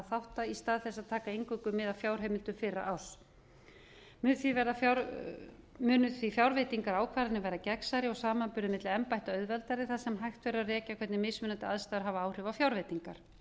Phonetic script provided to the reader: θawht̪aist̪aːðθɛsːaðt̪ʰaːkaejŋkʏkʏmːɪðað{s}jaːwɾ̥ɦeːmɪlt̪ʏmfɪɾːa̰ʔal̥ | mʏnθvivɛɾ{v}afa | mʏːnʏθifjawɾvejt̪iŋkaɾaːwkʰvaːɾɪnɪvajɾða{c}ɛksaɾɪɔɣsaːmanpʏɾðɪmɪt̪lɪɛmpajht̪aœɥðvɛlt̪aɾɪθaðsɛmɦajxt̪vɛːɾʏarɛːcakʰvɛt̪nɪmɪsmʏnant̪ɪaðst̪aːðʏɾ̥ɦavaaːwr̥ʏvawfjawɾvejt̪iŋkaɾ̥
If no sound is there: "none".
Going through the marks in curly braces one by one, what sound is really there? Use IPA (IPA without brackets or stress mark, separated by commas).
f, ð, c